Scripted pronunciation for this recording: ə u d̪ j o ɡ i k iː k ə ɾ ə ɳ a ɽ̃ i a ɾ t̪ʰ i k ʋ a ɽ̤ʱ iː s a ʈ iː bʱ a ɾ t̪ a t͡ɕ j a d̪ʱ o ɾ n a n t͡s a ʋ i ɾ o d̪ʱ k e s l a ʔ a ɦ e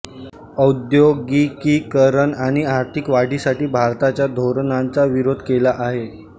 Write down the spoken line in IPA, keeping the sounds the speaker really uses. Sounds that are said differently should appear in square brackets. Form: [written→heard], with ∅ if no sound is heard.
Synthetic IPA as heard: ə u d̪ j o ɡ i k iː k ə ɾ ə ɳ a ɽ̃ i a ɾ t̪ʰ i k ʋ a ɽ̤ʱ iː s a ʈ iː bʱ a ɾ t̪ a t͡ɕ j a d̪ʱ o ɾ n a n t͡s a ʋ i ɾ o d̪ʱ k e [s→∅] l a ʔ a ɦ e